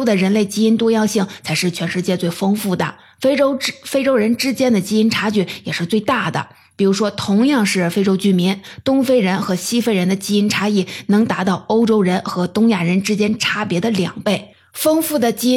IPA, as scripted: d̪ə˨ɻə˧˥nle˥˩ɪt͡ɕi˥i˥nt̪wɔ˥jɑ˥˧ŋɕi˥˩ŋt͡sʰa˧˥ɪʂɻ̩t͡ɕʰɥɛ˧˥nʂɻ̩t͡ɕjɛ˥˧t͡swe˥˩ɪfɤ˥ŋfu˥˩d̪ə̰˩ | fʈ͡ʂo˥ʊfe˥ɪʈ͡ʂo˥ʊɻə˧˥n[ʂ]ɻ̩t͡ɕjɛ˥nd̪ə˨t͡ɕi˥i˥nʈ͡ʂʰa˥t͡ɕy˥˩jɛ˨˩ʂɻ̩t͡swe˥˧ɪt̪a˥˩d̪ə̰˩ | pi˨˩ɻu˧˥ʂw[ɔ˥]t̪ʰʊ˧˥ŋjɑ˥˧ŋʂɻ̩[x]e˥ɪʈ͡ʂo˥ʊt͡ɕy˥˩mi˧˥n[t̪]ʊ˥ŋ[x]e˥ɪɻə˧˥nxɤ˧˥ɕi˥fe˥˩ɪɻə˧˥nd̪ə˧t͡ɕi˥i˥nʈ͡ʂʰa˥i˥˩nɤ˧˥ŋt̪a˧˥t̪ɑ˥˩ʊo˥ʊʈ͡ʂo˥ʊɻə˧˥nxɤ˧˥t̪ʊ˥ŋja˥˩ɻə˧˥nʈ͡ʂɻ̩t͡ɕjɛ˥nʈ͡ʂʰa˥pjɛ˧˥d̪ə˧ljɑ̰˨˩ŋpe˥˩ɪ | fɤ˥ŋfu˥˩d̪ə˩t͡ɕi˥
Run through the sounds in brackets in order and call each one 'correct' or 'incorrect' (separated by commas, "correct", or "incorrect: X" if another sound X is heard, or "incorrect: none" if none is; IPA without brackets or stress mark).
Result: incorrect: ʈ͡ʂ, correct, incorrect: f, correct, incorrect: f